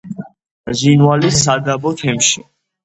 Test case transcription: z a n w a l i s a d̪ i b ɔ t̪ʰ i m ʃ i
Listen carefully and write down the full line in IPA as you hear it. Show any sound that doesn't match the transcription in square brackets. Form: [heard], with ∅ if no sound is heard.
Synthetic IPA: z [i] n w a l i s a d̪ [a] b ɔ t̪ʰ [ɛ] m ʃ i